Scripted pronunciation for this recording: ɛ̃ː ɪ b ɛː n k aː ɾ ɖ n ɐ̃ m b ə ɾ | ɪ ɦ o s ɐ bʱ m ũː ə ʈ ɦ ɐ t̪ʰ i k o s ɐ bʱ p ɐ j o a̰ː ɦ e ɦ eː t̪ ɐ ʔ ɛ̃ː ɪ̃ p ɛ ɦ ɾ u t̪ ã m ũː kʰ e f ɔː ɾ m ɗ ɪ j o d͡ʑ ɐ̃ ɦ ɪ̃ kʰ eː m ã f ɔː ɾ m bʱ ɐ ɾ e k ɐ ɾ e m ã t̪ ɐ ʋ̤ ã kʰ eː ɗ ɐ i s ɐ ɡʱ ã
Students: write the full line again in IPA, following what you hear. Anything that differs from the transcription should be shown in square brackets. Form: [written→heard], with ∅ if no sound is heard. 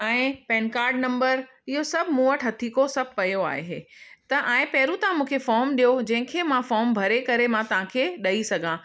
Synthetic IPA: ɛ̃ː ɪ [b→p] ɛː n k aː ɾ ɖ n ɐ̃ m b ə ɾ | ɪ ɦ o s ɐ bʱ m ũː ə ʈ ɦ ɐ t̪ʰ i k o s ɐ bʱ p ɐ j o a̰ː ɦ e ɦ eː t̪ ɐ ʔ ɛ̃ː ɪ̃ p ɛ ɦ ɾ u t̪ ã m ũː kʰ e f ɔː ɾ m ɗ [ɪ→i] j o d͡ʑ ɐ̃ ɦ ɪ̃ kʰ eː m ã f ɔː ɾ m bʱ ɐ ɾ e k ɐ ɾ e m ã t̪ ɐ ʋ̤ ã kʰ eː ɗ ɐ i s ɐ ɡʱ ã